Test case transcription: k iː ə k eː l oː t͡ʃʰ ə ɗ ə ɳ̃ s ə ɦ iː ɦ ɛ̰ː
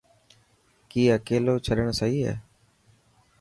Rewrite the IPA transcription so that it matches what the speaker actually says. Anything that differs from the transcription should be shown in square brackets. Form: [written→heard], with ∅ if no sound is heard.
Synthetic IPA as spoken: k iː ə k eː l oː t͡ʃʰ ə ɗ ə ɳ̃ s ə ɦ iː ɦ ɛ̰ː